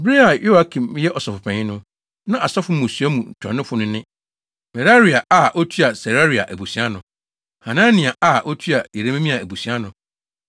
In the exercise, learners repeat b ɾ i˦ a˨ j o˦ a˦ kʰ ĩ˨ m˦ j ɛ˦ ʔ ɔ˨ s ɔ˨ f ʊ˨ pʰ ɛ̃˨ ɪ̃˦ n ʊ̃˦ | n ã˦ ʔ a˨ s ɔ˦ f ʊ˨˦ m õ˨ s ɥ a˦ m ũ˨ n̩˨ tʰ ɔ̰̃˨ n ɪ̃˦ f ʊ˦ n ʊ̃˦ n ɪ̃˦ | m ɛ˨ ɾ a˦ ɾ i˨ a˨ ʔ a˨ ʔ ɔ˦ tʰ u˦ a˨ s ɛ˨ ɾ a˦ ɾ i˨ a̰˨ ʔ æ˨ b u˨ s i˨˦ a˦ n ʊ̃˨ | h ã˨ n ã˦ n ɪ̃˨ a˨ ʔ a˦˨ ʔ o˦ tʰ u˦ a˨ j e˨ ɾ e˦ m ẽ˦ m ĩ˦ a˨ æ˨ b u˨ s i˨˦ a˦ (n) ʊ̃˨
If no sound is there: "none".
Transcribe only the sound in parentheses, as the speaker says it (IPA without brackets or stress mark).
n